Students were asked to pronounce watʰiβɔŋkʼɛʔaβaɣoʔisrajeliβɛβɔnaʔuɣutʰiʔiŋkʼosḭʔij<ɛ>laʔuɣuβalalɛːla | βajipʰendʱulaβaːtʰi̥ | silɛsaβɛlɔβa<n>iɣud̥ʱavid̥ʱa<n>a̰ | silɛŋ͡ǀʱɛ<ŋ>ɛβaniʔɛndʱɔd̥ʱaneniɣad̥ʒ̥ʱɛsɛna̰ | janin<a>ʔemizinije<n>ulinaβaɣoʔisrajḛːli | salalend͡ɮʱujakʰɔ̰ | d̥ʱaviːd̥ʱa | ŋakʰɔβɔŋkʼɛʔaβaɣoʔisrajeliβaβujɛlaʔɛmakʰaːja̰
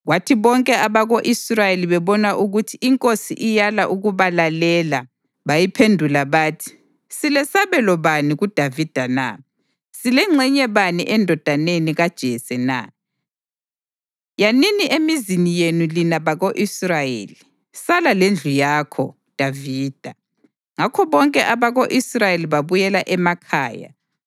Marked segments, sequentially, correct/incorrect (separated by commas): incorrect, correct, correct, incorrect, incorrect, correct